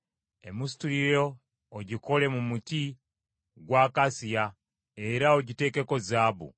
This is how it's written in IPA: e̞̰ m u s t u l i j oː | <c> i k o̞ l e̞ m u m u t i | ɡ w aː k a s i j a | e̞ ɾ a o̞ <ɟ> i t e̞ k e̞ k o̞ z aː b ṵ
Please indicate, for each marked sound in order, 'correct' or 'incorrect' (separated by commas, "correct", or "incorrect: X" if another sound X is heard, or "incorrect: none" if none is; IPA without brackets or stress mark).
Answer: incorrect: ɟ, correct